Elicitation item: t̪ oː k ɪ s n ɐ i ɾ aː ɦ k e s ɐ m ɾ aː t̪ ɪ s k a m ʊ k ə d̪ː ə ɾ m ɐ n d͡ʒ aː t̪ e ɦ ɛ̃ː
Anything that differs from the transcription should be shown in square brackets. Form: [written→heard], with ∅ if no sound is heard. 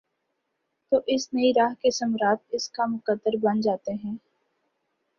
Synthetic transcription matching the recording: t̪ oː [k→ʔ] ɪ s n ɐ i ɾ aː ɦ k e s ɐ m ɾ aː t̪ ɪ s k a m ʊ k ə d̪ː ə ɾ [m→b] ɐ n d͡ʒ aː t̪ e ɦ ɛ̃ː